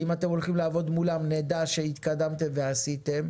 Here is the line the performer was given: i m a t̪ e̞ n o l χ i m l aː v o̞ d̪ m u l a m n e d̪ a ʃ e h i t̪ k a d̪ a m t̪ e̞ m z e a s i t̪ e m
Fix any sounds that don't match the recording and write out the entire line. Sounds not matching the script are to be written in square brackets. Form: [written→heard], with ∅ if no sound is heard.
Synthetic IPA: i m a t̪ e̞ [n→m] o l χ i m l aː v o̞ d̪ m u l a m n e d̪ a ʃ e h i t̪ k a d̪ a m t̪ e̞ m [z→v] e a s i t̪ e m